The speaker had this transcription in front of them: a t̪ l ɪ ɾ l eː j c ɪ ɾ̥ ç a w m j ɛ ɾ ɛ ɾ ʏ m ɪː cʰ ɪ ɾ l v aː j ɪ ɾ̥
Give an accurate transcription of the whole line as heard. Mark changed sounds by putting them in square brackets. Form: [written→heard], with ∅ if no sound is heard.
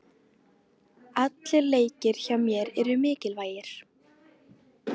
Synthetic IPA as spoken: a t̪ l ɪ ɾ l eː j c ɪ ɾ̥ ç a w m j ɛ ɾ ɛ ɾ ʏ m ɪː [cʰ→c] ɪ [ɾ→∅] l v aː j ɪ ɾ̥

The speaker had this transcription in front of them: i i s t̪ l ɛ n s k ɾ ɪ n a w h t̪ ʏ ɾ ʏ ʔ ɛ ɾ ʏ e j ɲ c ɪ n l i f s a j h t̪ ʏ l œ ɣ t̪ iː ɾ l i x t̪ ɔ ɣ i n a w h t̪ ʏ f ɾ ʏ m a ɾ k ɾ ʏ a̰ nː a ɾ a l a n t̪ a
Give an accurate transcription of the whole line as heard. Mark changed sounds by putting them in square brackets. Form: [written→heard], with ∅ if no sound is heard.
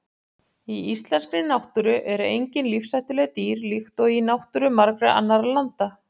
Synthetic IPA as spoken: i i s t̪ l ɛ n s k ɾ ɪ n a w h t̪ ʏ ɾ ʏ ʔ ɛ ɾ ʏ e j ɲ c ɪ n l i f s a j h t̪ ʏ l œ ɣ t̪ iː ɾ l i x t̪ ɔ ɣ i n a w h t̪ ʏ [f→∅] ɾ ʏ m a ɾ k ɾ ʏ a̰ nː a ɾ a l a n t̪ a

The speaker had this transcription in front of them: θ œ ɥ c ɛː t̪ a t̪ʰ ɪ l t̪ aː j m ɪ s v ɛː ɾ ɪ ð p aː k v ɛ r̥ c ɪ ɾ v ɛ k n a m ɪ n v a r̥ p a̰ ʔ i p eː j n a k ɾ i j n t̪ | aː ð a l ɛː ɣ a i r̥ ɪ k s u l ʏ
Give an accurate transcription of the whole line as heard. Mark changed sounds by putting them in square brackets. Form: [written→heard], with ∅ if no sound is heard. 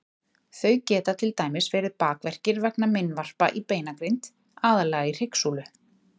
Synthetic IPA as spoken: θ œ ɥ c ɛː t̪ a t̪ʰ ɪ l t̪ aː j m ɪ s v ɛː ɾ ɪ ð p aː k v ɛ r̥ c ɪ ɾ v ɛ k n a m ɪ n v a r̥ p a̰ ʔ i p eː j n a k ɾ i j n t̪ | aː ð a l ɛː ɣ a i r̥ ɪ k s u l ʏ

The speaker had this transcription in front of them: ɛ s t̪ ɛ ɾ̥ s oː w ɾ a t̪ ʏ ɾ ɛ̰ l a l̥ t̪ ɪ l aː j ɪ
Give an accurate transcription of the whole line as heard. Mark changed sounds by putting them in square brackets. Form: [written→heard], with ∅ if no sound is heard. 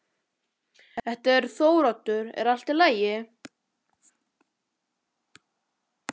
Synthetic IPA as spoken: ɛ [s→h] t̪ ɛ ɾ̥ [s→θ] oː w ɾ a t̪ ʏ ɾ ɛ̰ [l→ɾ] a l̥ t̪ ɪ l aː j ɪ

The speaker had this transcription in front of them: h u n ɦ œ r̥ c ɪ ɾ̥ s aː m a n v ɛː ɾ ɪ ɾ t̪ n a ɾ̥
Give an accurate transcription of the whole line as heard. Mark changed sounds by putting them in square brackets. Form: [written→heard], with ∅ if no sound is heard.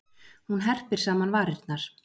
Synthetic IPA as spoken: h u n ɦ [œ→ɛ] r̥ [c→p] ɪ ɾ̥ s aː m a n v [ɛː→aː] ɾ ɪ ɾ t̪ n a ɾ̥

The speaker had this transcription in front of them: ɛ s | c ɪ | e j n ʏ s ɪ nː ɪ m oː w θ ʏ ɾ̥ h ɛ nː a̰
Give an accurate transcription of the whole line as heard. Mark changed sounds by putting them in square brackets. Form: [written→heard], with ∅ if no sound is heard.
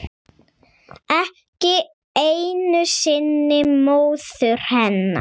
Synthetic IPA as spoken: ɛ [s→h] | c ɪ | e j n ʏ s ɪ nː ɪ m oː w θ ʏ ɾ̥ h ɛ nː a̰

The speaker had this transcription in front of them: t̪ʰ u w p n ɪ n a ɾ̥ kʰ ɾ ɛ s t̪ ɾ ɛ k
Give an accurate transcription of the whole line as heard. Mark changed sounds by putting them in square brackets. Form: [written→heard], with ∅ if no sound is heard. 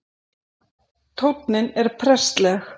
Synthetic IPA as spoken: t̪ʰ [u→o] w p n ɪ n [a→ɛ] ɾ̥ [kʰ→pʰ] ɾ ɛ s t̪ [ɾ→l] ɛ [k→x]

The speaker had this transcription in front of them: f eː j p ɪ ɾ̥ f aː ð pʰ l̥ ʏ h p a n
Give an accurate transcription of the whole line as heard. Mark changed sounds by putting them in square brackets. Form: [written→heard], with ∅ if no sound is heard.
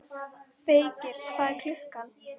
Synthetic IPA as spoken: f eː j [p→c] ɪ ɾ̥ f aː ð [pʰ→kʰ] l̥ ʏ h [p→k] a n

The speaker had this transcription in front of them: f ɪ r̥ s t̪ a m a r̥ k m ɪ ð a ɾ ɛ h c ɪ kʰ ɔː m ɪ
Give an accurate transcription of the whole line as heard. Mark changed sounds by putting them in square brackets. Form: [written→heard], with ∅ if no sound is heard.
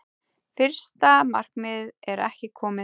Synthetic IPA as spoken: f ɪ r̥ s t̪ a m a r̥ k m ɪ ð [a→ɛ] ɾ ɛ h c ɪ kʰ ɔː m ɪ

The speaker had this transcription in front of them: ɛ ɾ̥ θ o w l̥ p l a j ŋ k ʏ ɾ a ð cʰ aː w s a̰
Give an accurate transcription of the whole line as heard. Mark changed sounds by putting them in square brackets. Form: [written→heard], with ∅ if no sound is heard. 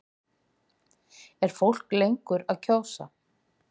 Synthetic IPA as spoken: ɛ ɾ̥ [θ→f] o w l̥ [p→k] l [a→e] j ŋ k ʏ ɾ a ð cʰ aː w s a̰

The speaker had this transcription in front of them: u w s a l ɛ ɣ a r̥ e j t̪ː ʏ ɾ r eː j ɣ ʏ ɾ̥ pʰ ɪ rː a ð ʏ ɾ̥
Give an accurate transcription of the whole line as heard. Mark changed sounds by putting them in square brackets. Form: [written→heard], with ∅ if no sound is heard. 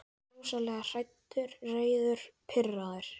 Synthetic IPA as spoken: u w s a l ɛ ɣ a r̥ [e→a] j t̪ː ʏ ɾ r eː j [ɣ→ð] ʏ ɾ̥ pʰ ɪ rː a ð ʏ ɾ̥

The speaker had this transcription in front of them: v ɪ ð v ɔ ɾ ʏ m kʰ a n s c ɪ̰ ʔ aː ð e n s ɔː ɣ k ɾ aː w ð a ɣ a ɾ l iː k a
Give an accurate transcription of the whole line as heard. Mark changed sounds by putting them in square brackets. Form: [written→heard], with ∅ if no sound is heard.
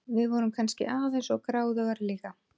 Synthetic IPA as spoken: v ɪ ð v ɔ ɾ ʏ m kʰ a n s c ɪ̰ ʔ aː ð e n s [ɔː→ɔ] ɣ k ɾ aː w ð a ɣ a ɾ l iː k a

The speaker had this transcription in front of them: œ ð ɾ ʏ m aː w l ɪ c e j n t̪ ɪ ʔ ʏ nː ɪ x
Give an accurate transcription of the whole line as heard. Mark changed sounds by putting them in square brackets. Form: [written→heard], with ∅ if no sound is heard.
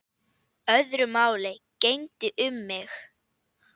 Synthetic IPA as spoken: œ ð ɾ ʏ m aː w l ɪ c e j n t̪ ɪ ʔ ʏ [nː→mː] ɪ x

